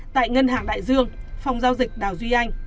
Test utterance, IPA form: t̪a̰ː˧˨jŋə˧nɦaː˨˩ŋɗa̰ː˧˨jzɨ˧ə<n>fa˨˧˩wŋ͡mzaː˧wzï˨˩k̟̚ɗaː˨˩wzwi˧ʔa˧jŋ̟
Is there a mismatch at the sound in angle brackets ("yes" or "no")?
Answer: yes